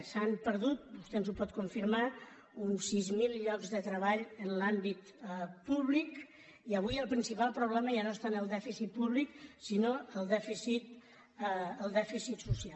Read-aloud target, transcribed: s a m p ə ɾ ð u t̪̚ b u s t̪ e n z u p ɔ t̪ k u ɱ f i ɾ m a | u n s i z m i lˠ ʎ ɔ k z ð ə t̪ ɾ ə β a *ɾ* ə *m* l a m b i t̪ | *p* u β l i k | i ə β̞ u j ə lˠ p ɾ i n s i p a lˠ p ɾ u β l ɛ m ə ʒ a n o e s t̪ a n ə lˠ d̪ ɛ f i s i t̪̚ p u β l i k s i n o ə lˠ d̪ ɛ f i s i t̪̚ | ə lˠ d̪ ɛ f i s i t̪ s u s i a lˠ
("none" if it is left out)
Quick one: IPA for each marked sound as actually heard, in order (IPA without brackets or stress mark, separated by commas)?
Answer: ʎ, n, p